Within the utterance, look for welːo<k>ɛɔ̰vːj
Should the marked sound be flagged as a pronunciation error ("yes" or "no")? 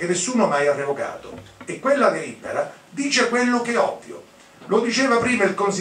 no